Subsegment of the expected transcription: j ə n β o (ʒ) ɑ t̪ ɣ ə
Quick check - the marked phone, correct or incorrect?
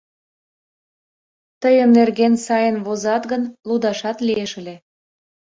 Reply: incorrect